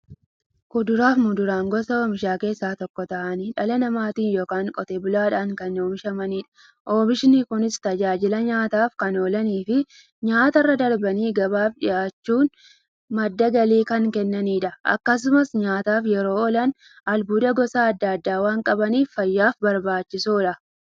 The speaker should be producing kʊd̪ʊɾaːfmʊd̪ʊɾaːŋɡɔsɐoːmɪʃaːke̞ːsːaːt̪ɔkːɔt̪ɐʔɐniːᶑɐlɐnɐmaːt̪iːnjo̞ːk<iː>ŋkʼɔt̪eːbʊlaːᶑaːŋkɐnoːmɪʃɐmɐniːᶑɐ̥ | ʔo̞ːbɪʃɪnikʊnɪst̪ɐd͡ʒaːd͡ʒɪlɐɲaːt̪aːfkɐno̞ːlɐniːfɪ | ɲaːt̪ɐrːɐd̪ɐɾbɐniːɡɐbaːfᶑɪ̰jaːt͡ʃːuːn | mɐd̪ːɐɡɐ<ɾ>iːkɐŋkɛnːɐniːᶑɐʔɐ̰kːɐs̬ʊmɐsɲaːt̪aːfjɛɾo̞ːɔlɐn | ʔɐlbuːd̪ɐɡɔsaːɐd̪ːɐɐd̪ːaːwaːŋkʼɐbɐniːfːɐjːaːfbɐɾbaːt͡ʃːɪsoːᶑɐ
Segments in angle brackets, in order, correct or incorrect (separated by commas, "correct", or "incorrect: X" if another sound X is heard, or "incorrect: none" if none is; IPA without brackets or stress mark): incorrect: aː, incorrect: l